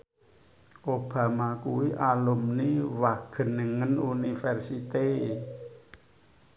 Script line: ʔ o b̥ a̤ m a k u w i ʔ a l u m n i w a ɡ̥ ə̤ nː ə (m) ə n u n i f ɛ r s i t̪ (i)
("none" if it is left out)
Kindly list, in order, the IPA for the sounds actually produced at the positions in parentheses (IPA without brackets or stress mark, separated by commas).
ŋ, e